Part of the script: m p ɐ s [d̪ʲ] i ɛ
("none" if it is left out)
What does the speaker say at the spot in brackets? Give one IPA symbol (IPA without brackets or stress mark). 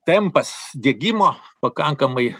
d̪ʲ